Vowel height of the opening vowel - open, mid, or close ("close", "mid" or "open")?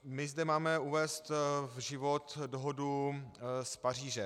close